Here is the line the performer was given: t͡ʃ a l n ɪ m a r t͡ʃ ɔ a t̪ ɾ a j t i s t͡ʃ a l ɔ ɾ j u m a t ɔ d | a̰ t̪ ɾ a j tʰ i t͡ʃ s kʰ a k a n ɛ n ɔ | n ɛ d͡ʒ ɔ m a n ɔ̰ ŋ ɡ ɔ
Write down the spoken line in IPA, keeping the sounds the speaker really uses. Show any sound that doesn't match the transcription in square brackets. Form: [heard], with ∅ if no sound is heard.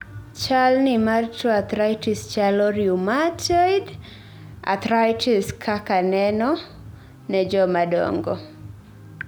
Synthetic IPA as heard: t͡ʃ a l n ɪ m a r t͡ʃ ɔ a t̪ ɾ a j t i s t͡ʃ a l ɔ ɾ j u m a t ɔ d | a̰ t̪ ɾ a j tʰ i [∅] s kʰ a k a n ɛ n ɔ | n ɛ d͡ʒ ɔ m a [d] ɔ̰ ŋ ɡ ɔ